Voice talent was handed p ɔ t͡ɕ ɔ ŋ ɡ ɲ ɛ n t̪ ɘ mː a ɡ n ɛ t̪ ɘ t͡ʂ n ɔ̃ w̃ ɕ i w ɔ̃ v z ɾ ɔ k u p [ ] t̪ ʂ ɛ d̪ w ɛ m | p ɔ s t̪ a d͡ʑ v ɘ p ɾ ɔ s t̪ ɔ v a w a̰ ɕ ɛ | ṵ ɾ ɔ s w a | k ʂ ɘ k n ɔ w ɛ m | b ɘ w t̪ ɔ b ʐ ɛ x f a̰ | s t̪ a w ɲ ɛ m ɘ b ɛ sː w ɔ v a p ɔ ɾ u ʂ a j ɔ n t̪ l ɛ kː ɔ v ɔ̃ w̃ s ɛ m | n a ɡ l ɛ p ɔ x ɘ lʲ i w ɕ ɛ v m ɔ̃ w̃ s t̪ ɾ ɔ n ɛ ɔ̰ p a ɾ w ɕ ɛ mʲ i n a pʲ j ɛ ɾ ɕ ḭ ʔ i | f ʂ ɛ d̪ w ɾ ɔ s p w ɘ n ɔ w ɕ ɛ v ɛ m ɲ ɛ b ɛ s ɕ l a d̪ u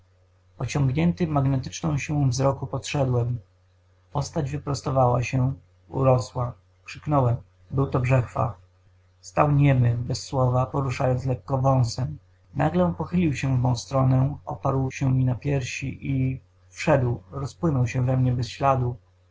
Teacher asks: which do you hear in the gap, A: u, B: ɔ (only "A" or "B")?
B